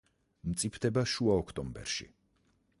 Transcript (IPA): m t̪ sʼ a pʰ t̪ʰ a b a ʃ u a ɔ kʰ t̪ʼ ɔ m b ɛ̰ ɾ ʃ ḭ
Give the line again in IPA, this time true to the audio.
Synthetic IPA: m t̪ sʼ i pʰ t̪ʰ ɛ b a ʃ u a ɔ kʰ t̪ʼ ɔ m b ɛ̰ ɾ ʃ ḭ